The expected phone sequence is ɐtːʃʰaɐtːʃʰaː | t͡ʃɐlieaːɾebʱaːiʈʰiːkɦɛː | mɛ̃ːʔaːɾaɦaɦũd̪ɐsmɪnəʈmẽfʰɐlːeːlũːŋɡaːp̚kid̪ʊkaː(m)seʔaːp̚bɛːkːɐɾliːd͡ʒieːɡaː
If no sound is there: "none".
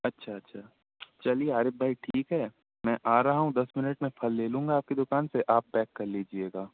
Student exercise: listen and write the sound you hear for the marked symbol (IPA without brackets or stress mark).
n